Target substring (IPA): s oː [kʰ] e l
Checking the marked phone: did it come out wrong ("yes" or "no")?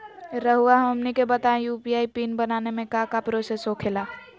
no